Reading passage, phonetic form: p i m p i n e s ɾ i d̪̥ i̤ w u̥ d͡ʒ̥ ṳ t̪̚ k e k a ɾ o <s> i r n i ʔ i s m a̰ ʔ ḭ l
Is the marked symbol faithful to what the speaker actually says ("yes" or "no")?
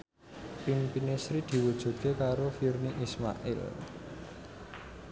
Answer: no